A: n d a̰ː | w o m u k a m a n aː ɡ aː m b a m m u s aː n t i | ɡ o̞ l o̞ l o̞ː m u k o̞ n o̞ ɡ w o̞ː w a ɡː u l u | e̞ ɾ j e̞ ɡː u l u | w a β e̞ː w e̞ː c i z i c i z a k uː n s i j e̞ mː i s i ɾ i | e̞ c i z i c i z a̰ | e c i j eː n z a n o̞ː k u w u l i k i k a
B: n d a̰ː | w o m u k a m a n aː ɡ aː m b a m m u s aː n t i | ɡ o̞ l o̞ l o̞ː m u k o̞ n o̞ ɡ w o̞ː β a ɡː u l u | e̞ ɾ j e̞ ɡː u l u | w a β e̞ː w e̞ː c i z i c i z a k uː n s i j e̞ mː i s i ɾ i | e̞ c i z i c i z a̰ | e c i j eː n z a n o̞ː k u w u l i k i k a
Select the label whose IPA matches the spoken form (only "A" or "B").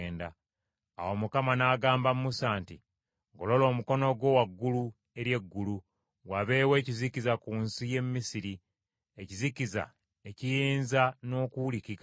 A